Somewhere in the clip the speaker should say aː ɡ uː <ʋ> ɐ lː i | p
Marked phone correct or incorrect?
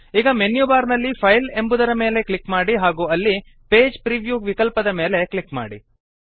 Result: incorrect